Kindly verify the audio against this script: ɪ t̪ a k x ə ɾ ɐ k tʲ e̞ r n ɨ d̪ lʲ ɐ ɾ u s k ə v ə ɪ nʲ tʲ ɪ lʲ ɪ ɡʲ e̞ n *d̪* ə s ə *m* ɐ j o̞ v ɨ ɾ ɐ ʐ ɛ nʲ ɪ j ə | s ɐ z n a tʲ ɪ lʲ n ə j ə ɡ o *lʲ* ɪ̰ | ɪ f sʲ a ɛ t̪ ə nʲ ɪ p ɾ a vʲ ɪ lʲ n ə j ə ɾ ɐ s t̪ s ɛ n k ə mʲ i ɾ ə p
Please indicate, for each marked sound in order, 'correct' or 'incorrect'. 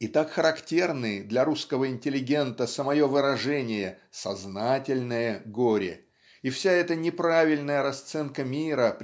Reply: incorrect: t̪, correct, incorrect: ɾʲ

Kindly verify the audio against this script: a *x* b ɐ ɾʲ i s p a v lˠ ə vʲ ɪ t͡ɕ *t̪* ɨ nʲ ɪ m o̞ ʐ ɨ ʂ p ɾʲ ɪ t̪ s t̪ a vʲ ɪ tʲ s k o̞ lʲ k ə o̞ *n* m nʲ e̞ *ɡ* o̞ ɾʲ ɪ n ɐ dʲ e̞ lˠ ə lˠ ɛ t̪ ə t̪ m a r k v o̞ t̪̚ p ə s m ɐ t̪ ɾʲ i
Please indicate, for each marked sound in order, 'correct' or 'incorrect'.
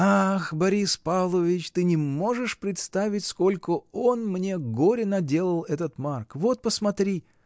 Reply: correct, correct, correct, correct

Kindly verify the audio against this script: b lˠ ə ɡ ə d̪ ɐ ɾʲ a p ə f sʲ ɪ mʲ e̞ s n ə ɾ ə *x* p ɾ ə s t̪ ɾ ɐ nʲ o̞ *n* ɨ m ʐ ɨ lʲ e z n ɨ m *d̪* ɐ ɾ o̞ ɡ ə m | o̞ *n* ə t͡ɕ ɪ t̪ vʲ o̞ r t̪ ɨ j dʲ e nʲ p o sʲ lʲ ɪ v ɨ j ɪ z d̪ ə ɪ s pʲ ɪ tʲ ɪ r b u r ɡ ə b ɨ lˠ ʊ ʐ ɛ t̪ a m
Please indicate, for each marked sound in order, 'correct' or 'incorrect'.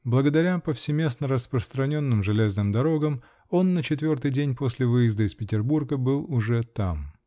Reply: incorrect: s, incorrect: nː, correct, incorrect: nː

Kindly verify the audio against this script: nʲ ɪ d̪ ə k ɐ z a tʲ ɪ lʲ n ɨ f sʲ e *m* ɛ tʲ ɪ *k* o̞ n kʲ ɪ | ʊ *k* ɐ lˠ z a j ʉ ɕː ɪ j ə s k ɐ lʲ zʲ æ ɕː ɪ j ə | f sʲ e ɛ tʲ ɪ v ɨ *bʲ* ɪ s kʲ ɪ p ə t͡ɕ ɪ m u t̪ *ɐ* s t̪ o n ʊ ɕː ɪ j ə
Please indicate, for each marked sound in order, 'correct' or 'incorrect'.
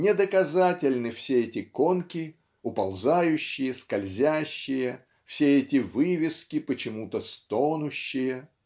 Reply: incorrect: none, correct, incorrect: p, incorrect: vʲ, incorrect: ə

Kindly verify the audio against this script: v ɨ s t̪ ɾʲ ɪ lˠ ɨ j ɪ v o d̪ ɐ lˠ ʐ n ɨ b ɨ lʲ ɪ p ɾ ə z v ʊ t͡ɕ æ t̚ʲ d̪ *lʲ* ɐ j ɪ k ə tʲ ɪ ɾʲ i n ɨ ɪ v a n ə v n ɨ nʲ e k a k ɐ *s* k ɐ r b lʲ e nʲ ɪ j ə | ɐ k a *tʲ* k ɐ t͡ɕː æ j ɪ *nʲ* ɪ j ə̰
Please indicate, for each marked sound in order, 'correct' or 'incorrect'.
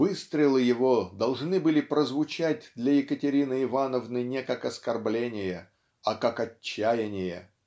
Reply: correct, correct, incorrect: none, correct

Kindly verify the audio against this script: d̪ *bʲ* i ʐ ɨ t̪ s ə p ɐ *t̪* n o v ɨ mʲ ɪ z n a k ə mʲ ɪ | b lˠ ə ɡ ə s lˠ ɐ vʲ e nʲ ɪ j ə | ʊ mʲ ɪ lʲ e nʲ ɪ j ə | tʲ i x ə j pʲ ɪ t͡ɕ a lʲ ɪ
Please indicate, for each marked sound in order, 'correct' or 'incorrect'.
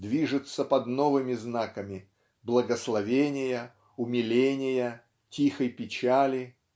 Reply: incorrect: vʲ, incorrect: d̪

